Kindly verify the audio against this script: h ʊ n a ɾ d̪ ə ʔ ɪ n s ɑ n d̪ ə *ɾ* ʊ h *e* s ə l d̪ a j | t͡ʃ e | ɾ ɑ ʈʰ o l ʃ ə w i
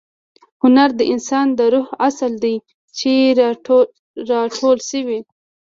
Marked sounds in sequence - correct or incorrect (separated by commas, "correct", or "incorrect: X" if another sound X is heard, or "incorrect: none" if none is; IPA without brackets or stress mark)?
correct, incorrect: a